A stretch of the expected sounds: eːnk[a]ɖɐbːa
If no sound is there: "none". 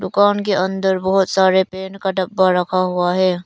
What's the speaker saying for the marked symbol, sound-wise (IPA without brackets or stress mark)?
a